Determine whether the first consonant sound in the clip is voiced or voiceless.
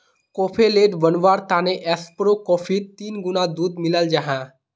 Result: voiceless